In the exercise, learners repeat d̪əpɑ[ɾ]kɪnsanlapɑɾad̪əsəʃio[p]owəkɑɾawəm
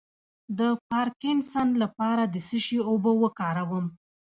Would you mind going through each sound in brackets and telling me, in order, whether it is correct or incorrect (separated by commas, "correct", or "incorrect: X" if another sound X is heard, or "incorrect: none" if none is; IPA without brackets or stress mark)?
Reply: correct, incorrect: b